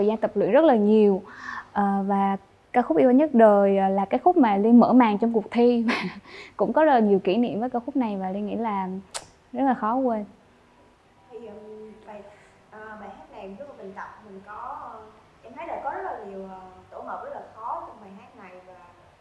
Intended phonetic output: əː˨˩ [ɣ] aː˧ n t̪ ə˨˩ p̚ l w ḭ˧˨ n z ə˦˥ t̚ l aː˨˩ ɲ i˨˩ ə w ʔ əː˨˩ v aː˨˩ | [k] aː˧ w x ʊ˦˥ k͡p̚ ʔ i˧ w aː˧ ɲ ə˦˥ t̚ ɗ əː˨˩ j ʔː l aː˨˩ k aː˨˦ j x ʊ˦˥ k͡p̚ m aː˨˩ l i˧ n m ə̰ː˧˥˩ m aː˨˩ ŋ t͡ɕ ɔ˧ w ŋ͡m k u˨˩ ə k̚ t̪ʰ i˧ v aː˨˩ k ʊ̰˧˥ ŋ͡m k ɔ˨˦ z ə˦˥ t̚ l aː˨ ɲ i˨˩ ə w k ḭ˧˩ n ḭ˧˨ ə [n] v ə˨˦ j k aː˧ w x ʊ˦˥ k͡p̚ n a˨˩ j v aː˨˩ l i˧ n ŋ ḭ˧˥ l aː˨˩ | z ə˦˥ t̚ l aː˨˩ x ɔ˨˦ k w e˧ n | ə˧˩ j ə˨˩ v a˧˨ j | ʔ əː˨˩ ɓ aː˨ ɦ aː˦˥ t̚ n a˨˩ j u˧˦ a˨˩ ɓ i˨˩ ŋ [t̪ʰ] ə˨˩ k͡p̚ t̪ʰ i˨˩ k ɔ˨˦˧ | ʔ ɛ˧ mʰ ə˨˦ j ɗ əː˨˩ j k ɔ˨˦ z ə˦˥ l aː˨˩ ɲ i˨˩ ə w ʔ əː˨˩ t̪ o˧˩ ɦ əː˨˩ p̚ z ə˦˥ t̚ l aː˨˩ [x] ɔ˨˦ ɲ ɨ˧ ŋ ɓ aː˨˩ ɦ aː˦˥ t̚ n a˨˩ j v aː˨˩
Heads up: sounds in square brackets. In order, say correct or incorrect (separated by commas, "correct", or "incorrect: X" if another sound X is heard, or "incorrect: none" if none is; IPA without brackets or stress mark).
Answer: incorrect: z, correct, incorrect: m, incorrect: t̪, correct